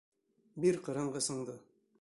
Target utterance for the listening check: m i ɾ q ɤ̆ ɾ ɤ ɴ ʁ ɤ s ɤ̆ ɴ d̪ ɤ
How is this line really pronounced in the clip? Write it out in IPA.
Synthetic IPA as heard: b i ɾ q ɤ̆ ɾ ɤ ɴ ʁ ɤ s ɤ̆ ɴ d̪ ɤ